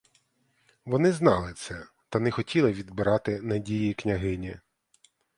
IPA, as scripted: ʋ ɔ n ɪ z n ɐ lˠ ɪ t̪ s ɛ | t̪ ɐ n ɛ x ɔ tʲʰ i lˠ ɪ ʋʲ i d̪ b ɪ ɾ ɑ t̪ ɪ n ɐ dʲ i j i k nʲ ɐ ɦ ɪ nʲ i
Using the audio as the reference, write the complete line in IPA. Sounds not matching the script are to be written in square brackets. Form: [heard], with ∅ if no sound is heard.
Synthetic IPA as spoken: ʋ ɔ n ɪ z n [ɑ] lˠ ɪ t̪ s ɛ | t̪ ɐ n ɛ x ɔ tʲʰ i lˠ ɪ ʋʲ i d̪ b ɪ ɾ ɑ t̪ ɪ n ɐ dʲ i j i k nʲ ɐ ɦ ɪ nʲ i

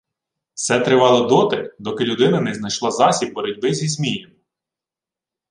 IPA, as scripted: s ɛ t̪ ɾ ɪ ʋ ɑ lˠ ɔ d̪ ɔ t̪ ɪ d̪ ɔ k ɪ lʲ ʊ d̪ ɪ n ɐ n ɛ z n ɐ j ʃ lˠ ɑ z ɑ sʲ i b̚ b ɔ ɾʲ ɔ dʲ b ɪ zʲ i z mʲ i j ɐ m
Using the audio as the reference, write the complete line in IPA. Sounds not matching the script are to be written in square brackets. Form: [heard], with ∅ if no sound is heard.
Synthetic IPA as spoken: s ɛ t̪ ɾ ɪ ʋ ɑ lˠ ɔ d̪ ɔ t̪ ɪ d̪ ɔ k ɪ lʲ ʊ d̪ ɪ n ɐ n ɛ z n ɐ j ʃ lˠ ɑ z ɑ sʲ i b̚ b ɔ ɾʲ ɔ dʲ b ɪ zʲ i z mʲ i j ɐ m

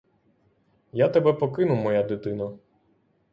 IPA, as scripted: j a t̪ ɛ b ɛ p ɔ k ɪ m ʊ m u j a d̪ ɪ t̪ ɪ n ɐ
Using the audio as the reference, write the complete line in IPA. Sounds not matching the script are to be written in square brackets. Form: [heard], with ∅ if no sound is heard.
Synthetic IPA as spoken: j a t̪ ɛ b ɛ p ɔ k ɪ [n] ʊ m [ɔ] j a d̪ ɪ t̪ ɪ n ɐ

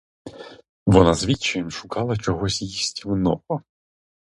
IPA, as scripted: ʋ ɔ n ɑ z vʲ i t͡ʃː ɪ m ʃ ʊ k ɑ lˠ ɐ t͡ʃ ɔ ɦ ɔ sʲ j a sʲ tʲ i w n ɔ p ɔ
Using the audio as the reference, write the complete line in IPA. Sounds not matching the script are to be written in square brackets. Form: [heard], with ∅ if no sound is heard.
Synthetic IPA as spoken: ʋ ɔ n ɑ z [ʋʲ] i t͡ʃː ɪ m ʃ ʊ k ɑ lˠ ɐ t͡ʃ ɔ ɦ ɔ sʲ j [i] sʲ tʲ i w n ɔ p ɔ

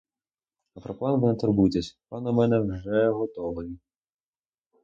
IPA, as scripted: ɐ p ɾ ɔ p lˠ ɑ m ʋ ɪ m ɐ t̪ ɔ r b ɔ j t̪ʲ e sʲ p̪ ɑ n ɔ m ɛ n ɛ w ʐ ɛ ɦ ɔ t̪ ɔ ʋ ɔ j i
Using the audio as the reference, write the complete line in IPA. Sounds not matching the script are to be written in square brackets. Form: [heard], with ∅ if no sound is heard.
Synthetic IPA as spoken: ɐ p ɾ ɔ p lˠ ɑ [n] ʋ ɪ [n] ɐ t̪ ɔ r b [u] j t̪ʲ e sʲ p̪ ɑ n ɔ m ɛ n ɛ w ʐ ɛ ɦ ɔ t̪ ɔ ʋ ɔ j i

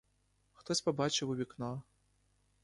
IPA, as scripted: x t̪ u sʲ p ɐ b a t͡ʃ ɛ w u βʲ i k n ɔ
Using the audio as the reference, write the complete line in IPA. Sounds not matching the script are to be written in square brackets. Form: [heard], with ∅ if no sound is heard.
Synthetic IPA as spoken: x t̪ [ɔ] sʲ p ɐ b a t͡ʃ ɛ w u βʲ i k n ɔ

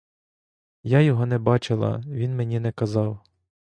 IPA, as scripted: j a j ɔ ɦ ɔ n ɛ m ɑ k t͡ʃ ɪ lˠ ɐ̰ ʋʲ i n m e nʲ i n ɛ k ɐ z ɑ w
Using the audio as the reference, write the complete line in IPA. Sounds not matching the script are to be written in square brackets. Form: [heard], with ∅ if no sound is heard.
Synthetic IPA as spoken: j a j ɔ ɦ ɔ n ɛ [b] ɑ [∅] t͡ʃ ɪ lˠ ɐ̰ ʋʲ i n m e nʲ i n ɛ k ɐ z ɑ w

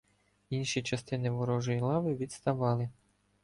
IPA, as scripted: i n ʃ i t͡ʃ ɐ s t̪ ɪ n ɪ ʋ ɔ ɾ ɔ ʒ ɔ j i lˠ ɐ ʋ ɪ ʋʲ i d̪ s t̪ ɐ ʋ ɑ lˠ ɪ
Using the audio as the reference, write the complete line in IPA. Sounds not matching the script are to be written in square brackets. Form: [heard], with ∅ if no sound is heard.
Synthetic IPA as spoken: i n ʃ i t͡ʃ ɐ s t̪ ɪ n ɪ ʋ ɔ ɾ ɔ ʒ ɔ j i lˠ [ɑ] ʋ ɪ ʋʲ i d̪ s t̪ ɐ ʋ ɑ lˠ ɪ

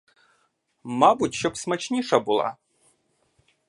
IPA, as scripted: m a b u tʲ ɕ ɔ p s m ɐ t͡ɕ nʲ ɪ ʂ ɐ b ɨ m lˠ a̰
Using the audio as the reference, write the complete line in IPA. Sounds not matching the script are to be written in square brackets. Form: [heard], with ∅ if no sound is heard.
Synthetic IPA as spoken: m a b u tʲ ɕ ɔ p s m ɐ t͡ɕ nʲ [i] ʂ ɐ b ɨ [∅] lˠ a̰

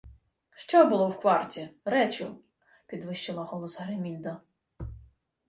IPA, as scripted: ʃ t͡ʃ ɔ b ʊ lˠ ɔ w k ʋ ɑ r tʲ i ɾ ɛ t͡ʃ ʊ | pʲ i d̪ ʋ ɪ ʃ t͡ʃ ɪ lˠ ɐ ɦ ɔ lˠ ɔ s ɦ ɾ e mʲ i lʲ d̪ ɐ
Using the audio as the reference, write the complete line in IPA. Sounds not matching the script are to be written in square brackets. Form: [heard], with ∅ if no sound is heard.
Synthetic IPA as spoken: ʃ t͡ʃ ɔ b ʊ lˠ ɔ w k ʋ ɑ r tʲ i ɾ ɛ t͡ʃ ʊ | pʲ i d̪ ʋ ɪ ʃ t͡ʃ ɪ lˠ ɐ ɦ ɔ lˠ ɔ s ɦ ɾ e mʲ i lʲ d̪ ɐ

